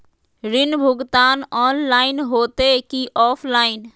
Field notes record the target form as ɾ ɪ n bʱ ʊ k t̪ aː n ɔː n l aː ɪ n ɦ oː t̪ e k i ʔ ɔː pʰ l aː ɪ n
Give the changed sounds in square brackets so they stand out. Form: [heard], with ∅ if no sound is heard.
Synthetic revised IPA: ɾ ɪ n bʱ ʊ [ɡ] t̪ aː n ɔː n l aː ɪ n ɦ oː t̪ e k i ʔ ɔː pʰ l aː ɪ n